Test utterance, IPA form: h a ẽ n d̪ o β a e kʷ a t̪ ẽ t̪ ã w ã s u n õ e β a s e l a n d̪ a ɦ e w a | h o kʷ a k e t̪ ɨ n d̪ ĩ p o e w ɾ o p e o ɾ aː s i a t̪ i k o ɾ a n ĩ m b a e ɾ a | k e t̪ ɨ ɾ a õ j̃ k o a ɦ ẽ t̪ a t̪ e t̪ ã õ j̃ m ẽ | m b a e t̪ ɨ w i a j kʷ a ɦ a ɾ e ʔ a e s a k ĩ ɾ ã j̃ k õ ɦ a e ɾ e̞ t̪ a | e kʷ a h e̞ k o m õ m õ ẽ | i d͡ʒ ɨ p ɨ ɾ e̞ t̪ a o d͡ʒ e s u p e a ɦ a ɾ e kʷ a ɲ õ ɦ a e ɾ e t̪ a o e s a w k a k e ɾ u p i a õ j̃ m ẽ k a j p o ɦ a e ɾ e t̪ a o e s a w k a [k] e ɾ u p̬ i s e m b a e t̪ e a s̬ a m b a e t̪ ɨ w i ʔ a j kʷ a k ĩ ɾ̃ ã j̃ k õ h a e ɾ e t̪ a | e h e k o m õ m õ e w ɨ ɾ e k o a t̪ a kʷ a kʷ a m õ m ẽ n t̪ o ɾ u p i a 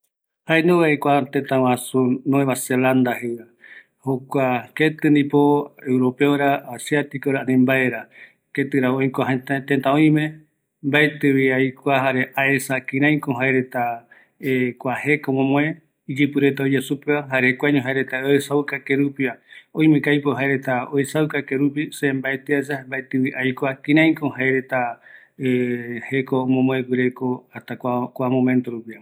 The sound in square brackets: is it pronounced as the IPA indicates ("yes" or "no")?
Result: yes